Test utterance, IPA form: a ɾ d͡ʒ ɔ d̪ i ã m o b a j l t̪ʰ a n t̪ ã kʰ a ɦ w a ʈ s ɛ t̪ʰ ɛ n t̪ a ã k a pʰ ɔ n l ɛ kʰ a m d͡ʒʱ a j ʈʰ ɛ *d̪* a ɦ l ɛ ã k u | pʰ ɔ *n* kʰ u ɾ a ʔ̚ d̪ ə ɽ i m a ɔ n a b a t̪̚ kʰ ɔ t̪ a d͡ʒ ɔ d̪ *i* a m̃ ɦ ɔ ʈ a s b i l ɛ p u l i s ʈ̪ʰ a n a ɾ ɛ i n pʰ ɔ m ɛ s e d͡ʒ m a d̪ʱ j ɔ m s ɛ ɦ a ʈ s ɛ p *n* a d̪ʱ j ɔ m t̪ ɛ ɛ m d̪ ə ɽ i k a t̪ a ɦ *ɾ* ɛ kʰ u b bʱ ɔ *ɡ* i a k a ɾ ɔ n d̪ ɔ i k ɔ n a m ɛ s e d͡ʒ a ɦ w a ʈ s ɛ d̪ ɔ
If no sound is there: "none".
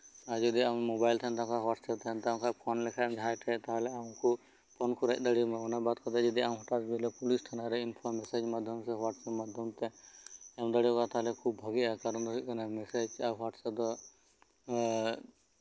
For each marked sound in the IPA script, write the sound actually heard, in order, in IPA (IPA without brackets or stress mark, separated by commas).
t̪, n, i, m, l, ɡ